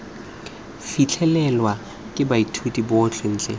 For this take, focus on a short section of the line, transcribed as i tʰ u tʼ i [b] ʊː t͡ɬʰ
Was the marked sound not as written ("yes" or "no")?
no